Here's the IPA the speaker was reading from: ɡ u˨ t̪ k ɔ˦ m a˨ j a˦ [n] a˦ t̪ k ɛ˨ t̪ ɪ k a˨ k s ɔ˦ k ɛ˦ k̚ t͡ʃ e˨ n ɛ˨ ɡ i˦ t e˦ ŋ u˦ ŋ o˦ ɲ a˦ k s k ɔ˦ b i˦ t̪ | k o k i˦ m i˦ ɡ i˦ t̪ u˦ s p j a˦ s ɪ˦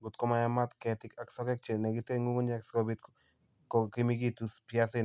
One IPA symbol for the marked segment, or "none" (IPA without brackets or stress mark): m